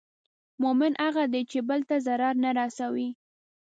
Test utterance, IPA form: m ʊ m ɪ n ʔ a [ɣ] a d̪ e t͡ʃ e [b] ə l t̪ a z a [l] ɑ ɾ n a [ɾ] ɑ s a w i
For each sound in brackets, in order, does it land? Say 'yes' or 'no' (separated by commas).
yes, yes, no, yes